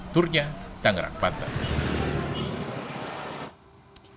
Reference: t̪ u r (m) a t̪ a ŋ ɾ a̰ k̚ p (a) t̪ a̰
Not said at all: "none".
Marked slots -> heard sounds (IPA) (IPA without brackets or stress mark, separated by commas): ɲ, a